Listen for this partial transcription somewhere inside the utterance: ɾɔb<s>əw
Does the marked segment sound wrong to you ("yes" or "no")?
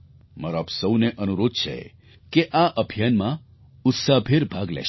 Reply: no